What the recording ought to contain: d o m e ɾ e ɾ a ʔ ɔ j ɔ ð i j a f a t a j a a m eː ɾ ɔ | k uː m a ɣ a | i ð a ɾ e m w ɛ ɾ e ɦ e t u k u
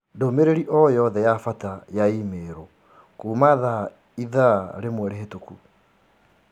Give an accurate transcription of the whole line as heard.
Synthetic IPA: d o m e ɾ e ɾ i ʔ ɔ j ɔ ð ɛ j a f a t a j a i m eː ɾ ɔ | k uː m a ð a | i ð a ɾ e m w ɛ ɾ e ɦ e t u k u